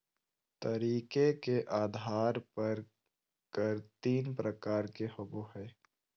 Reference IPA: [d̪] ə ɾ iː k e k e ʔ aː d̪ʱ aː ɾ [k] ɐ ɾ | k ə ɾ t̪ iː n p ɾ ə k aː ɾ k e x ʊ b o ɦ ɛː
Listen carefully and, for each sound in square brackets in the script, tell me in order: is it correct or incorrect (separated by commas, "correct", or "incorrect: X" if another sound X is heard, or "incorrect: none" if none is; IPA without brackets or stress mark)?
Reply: incorrect: t̪, incorrect: p